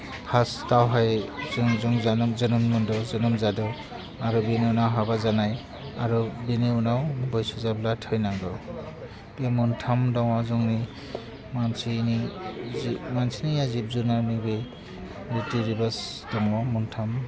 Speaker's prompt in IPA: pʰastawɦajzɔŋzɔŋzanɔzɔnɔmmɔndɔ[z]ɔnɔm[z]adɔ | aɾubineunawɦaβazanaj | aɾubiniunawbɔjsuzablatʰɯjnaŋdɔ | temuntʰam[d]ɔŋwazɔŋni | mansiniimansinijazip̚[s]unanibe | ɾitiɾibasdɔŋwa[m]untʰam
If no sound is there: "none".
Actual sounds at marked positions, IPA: z, z, d, z, m

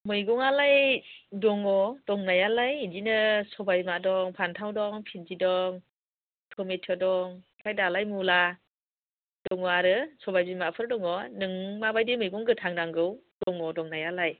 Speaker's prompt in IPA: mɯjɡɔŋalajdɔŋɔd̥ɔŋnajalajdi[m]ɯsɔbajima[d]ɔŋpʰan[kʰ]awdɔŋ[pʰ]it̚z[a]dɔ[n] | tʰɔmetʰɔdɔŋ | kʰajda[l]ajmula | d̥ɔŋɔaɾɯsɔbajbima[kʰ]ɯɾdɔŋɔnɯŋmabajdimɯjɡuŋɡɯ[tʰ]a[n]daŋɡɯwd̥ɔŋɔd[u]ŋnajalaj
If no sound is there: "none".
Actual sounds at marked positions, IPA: n, d, tʰ, pʰ, i, ŋ, l, pʰ, tʰ, ŋ, ɔ

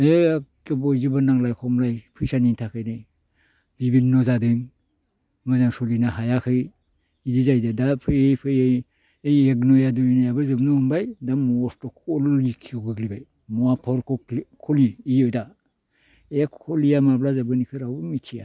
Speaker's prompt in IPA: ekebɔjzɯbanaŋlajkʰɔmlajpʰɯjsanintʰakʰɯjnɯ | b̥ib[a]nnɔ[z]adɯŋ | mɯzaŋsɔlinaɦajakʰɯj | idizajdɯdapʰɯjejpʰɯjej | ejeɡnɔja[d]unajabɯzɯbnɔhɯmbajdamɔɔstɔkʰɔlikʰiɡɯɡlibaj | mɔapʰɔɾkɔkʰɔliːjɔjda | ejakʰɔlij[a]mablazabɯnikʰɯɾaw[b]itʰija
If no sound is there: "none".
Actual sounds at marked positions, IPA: i, z, d, a, m

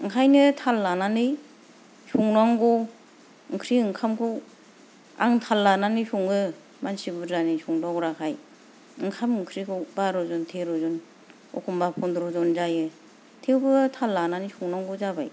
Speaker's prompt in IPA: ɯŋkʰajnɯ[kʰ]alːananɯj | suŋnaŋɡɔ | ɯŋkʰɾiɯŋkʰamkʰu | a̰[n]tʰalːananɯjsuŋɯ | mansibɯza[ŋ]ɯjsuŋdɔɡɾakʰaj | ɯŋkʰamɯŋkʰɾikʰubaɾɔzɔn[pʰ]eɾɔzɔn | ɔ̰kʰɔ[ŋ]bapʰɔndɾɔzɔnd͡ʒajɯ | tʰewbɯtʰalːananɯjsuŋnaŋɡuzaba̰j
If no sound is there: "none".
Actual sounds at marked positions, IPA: tʰ, ŋ, n, tʰ, m

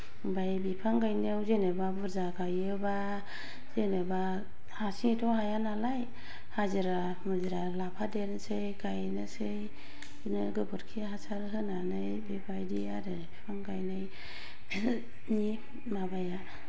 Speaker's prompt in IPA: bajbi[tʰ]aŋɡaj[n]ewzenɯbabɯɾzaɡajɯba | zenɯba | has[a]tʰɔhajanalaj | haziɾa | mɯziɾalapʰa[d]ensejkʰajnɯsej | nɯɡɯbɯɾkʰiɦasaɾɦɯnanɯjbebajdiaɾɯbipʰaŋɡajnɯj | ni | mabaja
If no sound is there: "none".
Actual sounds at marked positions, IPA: pʰ, n, i, d

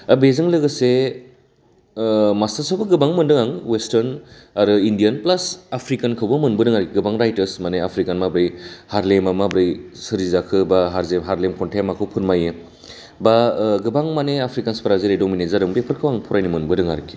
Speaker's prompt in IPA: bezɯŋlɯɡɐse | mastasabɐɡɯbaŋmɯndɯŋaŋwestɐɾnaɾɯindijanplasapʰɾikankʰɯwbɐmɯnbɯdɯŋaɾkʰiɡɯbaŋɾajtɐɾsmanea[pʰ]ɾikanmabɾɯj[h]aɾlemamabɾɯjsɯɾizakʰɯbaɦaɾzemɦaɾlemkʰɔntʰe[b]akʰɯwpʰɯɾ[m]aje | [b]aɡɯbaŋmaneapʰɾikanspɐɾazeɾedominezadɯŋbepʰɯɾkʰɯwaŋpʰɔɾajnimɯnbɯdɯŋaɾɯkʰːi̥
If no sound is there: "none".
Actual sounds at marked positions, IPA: pʰ, h, m, m, b

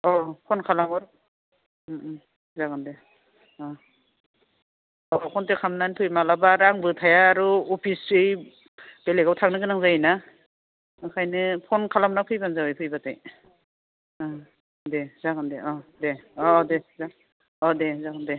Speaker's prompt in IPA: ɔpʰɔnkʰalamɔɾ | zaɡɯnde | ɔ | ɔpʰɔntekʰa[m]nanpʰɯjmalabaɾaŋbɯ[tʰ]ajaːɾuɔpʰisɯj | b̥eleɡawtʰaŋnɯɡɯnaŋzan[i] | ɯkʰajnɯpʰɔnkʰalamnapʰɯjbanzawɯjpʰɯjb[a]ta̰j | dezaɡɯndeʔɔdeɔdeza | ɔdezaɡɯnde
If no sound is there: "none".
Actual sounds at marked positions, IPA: m, tʰ, a, a

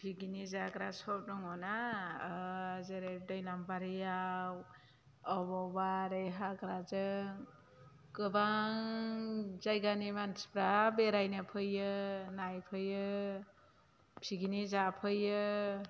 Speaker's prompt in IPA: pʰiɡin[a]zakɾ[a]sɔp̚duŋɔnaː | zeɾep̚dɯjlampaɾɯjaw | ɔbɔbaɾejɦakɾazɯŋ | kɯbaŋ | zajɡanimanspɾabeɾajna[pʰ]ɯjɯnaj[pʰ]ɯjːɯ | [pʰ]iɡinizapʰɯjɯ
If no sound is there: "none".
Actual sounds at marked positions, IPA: i, a, pʰ, pʰ, pʰ

